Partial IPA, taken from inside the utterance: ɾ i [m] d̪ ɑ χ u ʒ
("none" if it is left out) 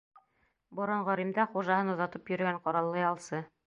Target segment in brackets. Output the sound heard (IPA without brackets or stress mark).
m